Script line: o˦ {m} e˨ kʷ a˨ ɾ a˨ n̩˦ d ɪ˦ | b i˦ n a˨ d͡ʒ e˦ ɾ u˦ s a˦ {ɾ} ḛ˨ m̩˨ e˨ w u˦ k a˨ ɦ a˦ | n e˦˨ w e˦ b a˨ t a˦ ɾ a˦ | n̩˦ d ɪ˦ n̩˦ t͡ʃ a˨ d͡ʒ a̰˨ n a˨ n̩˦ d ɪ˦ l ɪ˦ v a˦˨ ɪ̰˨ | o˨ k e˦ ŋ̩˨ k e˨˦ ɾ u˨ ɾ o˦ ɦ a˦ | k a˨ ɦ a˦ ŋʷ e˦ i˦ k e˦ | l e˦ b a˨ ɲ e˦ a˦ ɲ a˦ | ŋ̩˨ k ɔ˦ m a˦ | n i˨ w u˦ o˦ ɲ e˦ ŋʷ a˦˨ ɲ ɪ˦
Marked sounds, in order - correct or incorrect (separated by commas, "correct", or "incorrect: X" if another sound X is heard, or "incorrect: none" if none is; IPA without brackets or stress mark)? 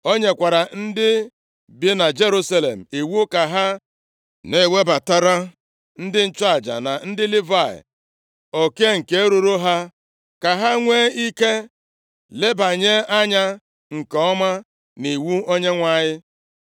incorrect: ɲ, incorrect: l